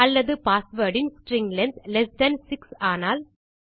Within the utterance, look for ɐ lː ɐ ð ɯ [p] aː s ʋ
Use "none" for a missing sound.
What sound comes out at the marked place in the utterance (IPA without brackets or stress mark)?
p